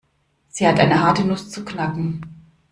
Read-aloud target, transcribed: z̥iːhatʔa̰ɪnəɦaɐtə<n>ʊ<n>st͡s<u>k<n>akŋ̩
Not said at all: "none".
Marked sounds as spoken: n, none, u, n

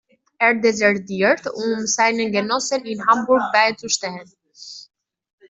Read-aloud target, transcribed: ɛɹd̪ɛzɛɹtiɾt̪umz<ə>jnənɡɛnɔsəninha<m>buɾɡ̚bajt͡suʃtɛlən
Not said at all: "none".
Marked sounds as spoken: a, m

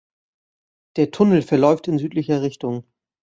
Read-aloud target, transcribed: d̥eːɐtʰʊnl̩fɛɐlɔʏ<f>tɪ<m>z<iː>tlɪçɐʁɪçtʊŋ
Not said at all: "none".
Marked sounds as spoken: f, n, yː

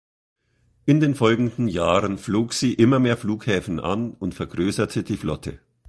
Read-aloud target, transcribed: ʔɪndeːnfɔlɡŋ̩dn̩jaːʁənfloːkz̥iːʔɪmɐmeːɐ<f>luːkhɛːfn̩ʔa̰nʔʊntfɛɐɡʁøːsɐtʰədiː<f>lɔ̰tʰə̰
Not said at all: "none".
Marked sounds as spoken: f, f

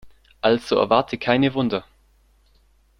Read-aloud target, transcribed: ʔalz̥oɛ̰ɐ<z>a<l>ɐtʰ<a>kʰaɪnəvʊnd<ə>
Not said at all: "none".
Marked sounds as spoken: v, none, ə, ɐ

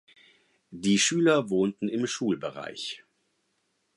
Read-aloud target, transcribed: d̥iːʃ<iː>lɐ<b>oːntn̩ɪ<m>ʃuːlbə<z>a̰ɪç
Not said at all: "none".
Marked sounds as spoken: yː, v, m, ʁ

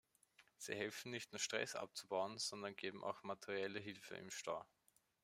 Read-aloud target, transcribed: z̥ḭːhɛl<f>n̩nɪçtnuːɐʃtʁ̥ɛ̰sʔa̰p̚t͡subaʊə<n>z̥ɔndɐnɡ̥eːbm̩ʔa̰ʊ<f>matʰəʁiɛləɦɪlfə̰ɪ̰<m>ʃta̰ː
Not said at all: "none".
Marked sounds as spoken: f, n, x, m

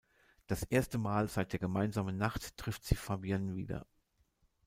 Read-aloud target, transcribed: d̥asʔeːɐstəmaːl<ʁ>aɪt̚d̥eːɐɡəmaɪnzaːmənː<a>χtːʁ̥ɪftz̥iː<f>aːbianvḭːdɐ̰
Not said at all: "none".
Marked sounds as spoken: z, a, f

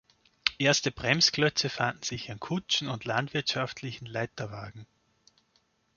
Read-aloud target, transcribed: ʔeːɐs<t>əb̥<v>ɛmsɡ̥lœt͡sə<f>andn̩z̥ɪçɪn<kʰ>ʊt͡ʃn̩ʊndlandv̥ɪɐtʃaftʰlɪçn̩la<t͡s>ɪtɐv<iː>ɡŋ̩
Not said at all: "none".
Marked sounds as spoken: t, ʁ, f, kʰ, none, aː

